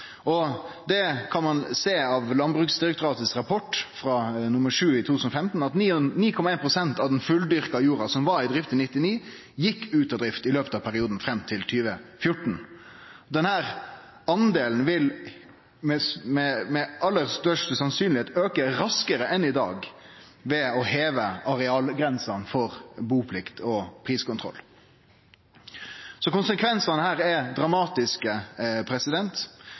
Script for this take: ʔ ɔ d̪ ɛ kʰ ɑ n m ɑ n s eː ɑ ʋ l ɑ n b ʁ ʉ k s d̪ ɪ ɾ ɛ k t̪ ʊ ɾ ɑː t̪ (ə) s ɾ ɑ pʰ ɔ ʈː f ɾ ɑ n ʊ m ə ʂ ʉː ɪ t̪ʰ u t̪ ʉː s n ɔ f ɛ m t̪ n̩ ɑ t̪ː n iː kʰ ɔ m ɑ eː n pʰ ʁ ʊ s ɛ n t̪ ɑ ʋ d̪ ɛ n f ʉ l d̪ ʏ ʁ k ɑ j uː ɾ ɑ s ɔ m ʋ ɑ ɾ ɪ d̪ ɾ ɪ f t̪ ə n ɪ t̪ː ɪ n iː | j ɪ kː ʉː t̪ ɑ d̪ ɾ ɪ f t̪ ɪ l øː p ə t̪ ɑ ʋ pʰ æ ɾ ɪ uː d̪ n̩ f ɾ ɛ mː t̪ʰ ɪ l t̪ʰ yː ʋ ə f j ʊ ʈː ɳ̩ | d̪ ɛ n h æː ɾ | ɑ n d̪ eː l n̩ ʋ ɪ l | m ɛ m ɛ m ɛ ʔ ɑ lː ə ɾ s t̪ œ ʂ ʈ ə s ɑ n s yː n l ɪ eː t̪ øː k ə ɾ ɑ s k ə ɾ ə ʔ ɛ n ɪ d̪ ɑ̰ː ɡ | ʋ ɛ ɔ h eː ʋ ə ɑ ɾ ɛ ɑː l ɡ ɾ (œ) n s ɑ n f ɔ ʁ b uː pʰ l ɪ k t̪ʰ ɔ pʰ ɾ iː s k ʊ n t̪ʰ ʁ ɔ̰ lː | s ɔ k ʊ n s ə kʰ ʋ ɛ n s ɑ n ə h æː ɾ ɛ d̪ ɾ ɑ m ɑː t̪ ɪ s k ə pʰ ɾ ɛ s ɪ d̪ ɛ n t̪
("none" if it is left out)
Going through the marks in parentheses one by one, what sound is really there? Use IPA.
ə, ɛ

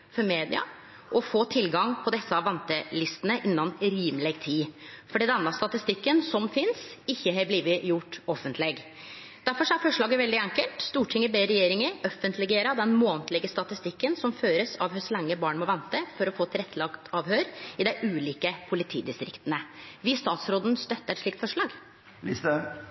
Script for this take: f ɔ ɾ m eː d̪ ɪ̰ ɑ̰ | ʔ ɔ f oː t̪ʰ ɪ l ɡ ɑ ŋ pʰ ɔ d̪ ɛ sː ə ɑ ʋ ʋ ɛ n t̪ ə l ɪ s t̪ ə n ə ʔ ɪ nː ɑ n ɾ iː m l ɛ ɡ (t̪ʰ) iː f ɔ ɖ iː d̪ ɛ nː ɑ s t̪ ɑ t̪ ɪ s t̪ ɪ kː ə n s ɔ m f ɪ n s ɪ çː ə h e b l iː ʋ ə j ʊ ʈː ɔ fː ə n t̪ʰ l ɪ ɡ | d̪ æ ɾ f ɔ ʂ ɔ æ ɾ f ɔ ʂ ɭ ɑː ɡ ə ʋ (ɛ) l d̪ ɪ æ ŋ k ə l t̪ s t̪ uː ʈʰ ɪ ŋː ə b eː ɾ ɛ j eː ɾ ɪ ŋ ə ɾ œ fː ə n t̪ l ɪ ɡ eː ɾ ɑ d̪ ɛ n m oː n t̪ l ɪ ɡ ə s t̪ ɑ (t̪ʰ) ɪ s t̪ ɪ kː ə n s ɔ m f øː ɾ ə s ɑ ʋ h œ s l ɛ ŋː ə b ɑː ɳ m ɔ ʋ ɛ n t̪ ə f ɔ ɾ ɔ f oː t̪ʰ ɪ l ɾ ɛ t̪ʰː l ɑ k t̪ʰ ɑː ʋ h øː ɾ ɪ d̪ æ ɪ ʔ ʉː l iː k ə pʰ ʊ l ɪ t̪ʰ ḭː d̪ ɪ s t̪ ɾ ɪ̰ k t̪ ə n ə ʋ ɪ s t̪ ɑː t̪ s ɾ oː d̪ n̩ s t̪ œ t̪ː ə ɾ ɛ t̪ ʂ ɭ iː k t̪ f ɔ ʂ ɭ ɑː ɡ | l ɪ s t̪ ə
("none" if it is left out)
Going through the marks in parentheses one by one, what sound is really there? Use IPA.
t̪ʰ, ɛ, t̪

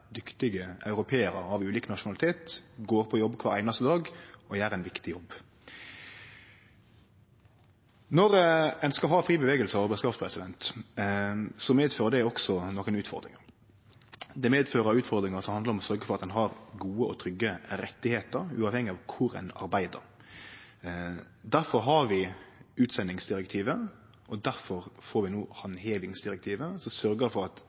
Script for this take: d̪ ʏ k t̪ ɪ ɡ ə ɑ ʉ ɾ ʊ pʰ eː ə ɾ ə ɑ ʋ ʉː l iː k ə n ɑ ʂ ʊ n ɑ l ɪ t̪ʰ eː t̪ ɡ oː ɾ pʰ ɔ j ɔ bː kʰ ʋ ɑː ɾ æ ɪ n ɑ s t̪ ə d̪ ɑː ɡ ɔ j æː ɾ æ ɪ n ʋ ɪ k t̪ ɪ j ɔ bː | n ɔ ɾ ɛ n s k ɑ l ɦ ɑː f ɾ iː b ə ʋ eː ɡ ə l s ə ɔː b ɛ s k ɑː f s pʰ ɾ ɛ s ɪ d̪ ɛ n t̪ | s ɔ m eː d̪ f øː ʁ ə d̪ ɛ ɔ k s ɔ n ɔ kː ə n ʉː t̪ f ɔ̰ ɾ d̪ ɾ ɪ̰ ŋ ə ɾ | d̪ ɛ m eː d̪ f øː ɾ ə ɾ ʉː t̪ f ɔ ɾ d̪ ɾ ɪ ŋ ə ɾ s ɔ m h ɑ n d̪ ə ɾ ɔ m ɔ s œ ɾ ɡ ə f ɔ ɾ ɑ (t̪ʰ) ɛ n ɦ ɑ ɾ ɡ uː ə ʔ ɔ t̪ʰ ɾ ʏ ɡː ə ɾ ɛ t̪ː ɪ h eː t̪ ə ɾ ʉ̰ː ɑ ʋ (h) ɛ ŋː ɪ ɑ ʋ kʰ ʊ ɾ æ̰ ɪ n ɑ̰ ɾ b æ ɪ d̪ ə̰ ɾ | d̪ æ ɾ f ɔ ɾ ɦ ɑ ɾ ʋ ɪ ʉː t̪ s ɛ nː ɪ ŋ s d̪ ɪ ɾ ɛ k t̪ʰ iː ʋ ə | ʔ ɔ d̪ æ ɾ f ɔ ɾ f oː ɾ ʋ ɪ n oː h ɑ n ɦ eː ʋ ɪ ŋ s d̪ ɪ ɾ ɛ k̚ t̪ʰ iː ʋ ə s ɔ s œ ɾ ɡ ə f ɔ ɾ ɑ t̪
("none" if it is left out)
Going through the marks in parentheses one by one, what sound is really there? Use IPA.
t̪, h

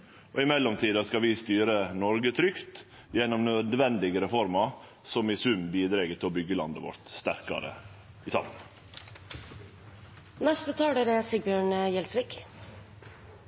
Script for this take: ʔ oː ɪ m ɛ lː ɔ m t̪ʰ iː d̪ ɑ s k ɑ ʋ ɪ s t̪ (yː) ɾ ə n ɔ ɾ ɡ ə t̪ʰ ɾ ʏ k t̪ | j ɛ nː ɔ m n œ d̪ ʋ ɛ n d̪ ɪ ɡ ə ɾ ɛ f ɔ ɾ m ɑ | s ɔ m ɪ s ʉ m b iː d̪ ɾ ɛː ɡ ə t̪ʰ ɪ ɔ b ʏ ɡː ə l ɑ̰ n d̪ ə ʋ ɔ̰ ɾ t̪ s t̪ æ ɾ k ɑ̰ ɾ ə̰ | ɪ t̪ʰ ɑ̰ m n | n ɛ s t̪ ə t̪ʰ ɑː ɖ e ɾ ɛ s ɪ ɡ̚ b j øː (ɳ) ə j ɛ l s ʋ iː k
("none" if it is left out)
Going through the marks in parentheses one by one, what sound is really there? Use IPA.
yː, ɳ

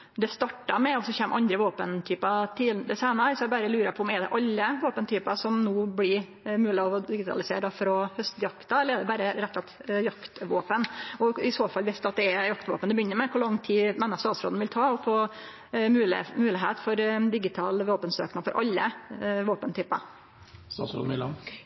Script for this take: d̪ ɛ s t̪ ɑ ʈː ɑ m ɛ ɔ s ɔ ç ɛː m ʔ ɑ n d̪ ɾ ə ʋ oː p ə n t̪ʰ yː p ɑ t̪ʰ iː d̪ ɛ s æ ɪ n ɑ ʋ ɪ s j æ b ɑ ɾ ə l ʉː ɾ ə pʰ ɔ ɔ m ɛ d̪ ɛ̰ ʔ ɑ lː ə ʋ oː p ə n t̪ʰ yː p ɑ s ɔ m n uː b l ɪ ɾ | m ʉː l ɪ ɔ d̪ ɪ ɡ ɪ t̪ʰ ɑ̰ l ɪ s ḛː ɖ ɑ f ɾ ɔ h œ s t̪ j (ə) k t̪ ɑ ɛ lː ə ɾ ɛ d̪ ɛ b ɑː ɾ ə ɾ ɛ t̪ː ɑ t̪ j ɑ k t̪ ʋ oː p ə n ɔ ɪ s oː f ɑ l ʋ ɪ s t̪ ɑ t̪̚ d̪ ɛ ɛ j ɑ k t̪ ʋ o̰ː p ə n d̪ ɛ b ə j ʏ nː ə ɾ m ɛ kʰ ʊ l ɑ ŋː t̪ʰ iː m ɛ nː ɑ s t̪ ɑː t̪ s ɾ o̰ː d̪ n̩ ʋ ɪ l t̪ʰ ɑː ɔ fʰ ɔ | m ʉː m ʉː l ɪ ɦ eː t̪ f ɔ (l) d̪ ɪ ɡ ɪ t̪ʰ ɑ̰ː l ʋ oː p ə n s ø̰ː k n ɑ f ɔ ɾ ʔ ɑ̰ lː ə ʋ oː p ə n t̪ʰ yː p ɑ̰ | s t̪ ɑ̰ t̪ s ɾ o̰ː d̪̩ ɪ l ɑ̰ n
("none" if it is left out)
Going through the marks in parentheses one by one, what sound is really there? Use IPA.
ɑ, ɾ

